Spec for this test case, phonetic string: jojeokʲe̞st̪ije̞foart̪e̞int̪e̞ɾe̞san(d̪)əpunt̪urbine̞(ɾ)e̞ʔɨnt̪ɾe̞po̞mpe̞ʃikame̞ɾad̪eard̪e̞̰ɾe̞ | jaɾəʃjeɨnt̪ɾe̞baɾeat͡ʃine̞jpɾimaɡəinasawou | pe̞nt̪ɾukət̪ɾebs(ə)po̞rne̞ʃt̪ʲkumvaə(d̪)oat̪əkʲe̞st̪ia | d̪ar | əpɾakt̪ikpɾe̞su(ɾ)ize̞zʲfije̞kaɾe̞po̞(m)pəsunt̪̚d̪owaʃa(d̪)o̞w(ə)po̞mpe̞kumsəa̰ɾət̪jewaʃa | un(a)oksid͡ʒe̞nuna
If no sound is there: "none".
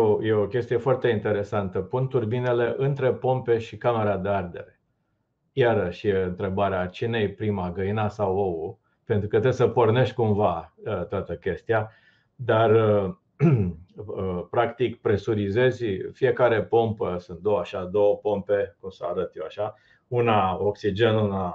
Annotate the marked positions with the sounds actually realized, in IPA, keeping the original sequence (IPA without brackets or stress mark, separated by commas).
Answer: t̪, l, ə, t̪, ɾ, m, d̪, ə, a